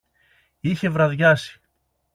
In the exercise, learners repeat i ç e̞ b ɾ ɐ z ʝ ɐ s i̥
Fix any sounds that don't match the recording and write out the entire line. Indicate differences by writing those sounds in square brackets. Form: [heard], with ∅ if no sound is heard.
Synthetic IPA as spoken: i ç e̞ [v] ɾ ɐ [ð] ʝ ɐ s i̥

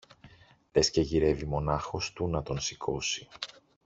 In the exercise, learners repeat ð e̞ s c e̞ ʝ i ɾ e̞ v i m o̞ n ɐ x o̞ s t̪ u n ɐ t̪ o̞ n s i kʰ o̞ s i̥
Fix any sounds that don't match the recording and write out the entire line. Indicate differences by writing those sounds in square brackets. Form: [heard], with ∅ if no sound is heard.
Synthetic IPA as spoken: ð e̞ s c e̞ ʝ i ɾ e̞ v i m o̞ n ɐ x o̞ s t̪ u n ɐ t̪ o̞ n s i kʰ o̞ s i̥

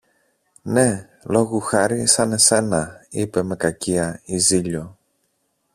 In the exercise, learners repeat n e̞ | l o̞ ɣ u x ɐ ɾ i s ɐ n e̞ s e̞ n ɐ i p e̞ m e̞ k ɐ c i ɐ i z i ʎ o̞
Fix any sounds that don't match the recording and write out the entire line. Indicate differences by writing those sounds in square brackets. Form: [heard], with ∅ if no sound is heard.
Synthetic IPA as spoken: n e̞ | l o̞ ɣ u x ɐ ɾ i s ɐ n e̞ s e̞ n ɐ i p e̞ m e̞ k ɐ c i ɐ i z i ʎ o̞

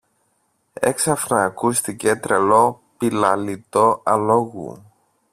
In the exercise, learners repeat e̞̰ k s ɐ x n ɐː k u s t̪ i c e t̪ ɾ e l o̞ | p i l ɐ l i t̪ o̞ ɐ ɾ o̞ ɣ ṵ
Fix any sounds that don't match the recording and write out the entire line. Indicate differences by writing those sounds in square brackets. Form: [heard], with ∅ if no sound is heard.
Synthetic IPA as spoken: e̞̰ k s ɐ [f] n ɐː k u s t̪ i c e t̪ ɾ e l o̞ | p i l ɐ l i t̪ o̞ ɐ [l] o̞ ɣ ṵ

